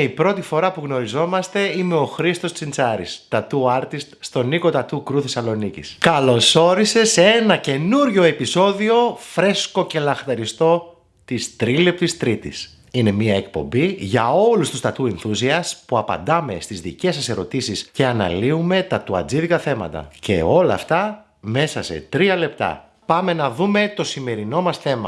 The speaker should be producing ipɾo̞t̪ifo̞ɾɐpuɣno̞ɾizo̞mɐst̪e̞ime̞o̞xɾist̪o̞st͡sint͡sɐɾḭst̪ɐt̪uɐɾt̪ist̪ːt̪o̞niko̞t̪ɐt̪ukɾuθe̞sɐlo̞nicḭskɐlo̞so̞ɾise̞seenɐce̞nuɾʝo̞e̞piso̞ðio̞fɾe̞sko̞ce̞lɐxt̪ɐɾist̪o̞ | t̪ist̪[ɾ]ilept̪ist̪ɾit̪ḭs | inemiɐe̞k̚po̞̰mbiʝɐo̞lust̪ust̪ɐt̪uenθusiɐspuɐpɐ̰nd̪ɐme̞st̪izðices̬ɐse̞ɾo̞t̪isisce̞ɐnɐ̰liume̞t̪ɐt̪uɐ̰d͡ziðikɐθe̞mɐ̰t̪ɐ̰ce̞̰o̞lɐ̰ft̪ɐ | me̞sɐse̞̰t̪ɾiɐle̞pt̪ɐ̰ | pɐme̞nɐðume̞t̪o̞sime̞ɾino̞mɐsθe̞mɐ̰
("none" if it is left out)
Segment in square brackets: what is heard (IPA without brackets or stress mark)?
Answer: ɾ